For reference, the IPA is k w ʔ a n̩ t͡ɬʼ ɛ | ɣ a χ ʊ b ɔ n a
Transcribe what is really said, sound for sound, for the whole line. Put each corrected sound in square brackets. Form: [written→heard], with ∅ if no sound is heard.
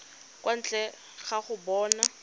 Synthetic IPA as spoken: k w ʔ a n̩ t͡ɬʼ ɛ | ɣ a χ ʊ b [ɔ→ɔː] n a